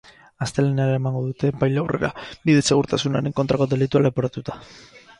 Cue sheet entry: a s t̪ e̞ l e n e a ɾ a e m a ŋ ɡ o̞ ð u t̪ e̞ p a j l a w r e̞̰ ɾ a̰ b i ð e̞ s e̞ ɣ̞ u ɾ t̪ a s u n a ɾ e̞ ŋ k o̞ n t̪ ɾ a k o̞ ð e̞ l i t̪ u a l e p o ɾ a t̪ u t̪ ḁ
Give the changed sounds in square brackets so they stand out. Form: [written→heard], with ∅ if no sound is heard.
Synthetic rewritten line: a s t̪ e̞ l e n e a ɾ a e m a ŋ ɡ o̞ ð u t̪ e̞ p a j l a w r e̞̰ ɾ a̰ b i ð e̞ s e̞ ɣ̞ u ɾ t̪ a s u n a ɾ e̞ ŋ k o̞ n t̪ ɾ a k o̞ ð e̞ l i t̪ u a l e p o ɾ a t̪ u t̪ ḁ